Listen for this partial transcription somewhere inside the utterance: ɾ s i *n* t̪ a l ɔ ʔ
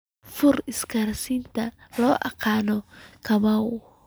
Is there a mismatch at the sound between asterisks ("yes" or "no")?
no